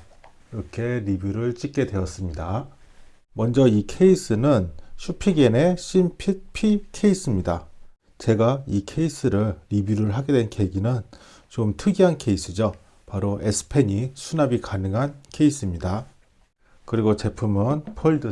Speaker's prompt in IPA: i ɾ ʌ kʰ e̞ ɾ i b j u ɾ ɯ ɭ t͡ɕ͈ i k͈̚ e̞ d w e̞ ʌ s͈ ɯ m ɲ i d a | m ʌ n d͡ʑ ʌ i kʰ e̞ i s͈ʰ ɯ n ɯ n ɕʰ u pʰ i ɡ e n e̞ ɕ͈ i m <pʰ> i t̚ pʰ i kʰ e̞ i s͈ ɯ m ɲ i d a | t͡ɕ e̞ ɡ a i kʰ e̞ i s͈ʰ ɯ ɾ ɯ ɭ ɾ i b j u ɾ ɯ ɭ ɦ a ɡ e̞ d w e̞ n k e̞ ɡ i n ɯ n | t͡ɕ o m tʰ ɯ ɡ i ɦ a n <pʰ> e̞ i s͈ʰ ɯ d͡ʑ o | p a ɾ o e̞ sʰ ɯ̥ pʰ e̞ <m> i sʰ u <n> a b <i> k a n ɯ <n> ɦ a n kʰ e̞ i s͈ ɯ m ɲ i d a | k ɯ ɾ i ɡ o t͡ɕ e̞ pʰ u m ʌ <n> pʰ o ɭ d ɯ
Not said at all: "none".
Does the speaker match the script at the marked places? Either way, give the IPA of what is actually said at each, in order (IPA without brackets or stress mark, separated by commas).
pʰ, kʰ, ɲ, n, i, ŋ, n